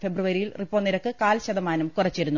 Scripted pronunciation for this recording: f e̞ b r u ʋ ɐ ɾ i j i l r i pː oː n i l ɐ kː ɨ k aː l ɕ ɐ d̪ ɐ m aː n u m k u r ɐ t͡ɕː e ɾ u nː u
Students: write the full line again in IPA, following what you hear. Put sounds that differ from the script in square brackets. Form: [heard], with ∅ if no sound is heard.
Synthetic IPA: f e̞ b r u ʋ ɐ ɾ i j i l r i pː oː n i [ɾ] ɐ kː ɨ k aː l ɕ ɐ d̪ ɐ m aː n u m k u r ɐ t͡ɕː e ɾ u nː u